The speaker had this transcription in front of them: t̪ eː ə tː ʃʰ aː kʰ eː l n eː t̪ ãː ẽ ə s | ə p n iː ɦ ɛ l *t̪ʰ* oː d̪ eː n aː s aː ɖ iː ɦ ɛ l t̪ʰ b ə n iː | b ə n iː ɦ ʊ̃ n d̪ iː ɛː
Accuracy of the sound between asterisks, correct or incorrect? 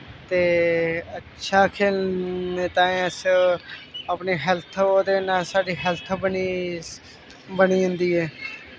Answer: correct